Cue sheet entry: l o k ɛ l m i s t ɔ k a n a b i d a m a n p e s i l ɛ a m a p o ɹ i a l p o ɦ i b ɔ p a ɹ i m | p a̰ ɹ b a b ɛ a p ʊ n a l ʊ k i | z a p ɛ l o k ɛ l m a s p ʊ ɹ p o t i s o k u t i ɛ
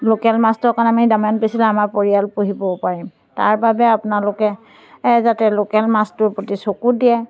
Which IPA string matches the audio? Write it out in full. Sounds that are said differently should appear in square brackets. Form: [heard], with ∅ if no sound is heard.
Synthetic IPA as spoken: l o k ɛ l m [a] s t ɔ k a n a [m] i d a m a n p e s i l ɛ a m a p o ɹ i a l p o ɦ i b ɔ p a ɹ i m | [t] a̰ ɹ b a b ɛ a p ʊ n a l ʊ k [ɛ] | z a [t] ɛ l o k ɛ l m a s [t] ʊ ɹ p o t i s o k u [d] i ɛ